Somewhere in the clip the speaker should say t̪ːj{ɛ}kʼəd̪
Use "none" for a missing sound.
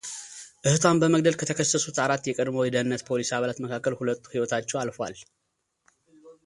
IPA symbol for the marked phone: ɛ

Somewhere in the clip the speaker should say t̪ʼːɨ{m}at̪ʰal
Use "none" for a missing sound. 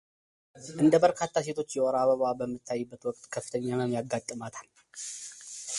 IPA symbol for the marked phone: m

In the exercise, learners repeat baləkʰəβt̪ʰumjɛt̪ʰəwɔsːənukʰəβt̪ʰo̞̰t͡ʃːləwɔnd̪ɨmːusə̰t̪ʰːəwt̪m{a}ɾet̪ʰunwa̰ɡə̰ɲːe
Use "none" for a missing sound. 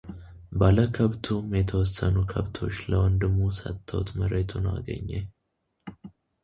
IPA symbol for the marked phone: ə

